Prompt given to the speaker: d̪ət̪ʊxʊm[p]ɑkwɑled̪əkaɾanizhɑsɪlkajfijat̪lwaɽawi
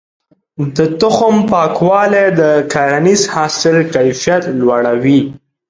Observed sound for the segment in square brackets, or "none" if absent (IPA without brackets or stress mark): p